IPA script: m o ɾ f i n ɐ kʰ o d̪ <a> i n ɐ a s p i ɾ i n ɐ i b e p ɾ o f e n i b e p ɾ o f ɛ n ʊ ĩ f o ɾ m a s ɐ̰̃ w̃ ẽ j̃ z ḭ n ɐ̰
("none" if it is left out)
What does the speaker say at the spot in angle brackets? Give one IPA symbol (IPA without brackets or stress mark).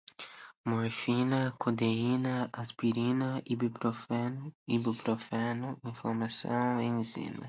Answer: e